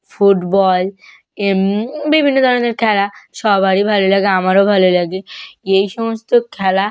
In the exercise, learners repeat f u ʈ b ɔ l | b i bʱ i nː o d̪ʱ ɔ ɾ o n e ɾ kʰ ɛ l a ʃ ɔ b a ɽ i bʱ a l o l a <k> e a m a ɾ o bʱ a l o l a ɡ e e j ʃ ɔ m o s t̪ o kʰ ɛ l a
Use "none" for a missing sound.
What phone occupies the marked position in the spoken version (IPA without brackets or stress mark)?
ɡ